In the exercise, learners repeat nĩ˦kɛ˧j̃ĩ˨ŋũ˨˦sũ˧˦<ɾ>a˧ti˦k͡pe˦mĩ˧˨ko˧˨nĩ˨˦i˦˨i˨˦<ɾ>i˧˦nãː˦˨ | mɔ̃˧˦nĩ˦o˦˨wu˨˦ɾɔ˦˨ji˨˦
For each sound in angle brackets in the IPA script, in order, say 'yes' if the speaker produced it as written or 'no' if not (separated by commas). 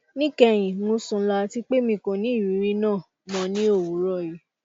no, yes